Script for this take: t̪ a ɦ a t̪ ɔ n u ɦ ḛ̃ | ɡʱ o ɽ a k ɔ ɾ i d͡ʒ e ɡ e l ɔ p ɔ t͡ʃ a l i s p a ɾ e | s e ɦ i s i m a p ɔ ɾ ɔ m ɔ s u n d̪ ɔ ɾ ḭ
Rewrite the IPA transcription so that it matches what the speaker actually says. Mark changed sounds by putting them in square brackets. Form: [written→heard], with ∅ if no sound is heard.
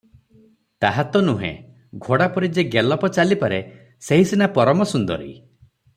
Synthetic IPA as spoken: t̪ a ɦ a t̪ ɔ n u ɦ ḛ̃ | ɡʱ o ɽ a [k→p] ɔ ɾ i d͡ʒ e ɡ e l ɔ p ɔ t͡ʃ a l i [s→∅] p a ɾ e | s e ɦ i s i [m→n] a p ɔ ɾ ɔ m ɔ s u n d̪ ɔ ɾ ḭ